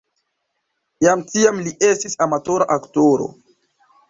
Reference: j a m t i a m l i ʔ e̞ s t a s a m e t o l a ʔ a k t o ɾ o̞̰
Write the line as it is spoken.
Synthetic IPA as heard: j a m t i a m l i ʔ e̞ s t i s a m a t o ɾ a ʔ a k t o ɾ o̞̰